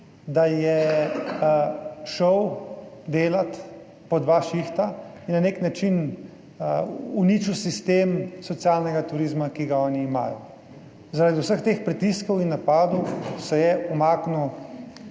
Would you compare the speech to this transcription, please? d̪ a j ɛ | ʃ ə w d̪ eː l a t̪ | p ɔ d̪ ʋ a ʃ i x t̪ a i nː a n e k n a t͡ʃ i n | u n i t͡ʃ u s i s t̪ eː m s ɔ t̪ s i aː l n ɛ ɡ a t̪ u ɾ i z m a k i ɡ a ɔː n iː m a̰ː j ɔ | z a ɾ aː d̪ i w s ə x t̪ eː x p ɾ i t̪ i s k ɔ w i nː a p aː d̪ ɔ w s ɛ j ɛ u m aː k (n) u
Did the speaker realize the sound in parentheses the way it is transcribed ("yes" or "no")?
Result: yes